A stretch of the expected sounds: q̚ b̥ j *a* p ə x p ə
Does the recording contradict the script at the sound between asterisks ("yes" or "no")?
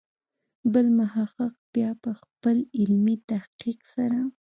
yes